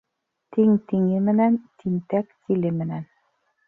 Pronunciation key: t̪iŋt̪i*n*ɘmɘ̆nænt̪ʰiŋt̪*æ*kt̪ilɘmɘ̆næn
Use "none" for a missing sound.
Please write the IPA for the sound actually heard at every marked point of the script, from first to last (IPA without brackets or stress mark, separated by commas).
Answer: ŋ, æ